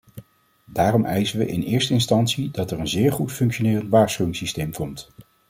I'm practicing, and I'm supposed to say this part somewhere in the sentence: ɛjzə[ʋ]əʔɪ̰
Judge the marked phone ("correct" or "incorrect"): correct